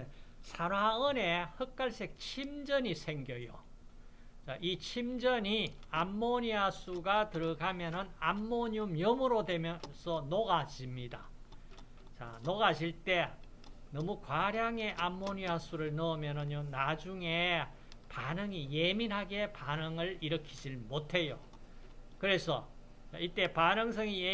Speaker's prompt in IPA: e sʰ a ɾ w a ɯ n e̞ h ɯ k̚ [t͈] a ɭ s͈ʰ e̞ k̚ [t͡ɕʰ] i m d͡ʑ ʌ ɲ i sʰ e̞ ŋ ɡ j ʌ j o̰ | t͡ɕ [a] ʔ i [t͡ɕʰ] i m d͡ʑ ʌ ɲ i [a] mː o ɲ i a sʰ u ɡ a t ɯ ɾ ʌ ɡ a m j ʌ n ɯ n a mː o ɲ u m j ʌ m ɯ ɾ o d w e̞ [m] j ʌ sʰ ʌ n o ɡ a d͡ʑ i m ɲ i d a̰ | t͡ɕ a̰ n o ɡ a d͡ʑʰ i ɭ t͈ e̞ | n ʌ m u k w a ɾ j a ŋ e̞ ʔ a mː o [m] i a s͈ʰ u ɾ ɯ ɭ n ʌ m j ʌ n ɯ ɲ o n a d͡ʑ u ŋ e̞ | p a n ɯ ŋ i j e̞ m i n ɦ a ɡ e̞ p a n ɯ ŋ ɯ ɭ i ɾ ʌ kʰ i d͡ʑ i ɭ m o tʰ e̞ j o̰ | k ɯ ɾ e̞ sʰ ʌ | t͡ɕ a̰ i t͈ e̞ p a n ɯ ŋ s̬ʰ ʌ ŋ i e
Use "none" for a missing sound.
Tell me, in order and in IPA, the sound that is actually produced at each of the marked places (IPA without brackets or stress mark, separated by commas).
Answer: k͈, t͡ɕʰ, a, t͡ɕʰ, a, m, ɲ